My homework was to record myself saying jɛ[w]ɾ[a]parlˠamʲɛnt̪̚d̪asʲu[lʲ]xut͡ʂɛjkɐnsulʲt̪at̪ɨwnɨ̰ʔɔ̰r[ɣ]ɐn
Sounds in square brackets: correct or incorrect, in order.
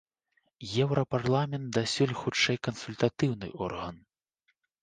correct, incorrect, correct, correct

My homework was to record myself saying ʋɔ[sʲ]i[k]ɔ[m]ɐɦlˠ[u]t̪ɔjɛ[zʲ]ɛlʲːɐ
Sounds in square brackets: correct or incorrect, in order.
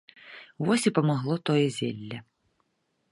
correct, incorrect, correct, incorrect, correct

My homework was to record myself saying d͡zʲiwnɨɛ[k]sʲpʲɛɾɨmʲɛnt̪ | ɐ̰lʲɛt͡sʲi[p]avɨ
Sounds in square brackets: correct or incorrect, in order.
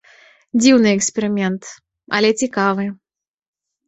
correct, incorrect

